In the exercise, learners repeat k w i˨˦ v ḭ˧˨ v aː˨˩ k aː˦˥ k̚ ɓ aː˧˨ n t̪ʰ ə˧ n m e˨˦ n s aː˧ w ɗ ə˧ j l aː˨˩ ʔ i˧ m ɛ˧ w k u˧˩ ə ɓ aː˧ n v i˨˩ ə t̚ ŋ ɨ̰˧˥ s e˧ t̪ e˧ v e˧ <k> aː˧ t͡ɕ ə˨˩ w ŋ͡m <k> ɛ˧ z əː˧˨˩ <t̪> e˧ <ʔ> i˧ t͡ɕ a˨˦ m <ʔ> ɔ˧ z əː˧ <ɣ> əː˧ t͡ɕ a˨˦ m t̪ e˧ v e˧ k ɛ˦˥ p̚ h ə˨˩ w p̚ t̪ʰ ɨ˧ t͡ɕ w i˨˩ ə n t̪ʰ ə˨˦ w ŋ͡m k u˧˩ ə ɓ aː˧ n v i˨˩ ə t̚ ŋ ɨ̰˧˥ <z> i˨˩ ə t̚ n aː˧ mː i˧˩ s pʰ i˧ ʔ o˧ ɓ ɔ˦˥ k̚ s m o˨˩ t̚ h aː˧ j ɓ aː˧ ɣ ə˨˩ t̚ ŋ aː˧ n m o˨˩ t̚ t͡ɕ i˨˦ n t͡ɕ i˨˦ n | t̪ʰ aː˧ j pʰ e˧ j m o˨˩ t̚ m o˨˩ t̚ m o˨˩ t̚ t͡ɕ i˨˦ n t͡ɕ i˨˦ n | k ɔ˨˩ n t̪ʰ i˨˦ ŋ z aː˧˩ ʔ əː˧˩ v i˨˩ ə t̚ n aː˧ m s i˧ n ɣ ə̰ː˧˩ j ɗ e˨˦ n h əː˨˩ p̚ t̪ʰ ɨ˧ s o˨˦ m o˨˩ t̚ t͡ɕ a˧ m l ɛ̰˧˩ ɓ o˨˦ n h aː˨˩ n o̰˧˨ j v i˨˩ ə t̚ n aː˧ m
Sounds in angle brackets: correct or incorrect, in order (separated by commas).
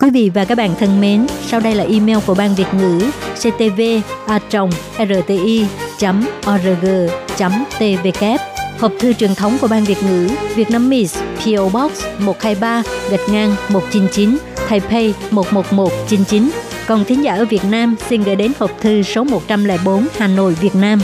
incorrect, incorrect, correct, correct, correct, correct, incorrect